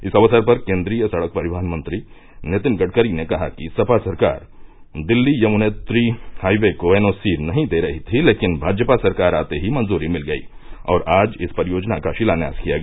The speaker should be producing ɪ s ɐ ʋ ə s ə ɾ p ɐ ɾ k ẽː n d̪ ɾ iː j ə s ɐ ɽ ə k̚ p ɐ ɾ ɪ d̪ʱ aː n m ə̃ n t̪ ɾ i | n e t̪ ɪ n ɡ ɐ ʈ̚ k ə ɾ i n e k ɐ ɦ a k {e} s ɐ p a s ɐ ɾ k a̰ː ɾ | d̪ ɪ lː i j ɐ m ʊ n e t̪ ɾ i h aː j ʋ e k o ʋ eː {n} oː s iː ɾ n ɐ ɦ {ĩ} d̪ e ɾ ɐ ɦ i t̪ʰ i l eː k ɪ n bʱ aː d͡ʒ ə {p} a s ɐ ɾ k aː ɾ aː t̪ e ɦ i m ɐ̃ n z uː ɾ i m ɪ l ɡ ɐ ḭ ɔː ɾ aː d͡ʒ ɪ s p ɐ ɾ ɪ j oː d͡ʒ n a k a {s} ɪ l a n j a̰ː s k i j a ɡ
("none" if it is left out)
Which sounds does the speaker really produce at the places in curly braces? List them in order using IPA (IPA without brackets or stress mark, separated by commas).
i, n, ĩ, p, ʃ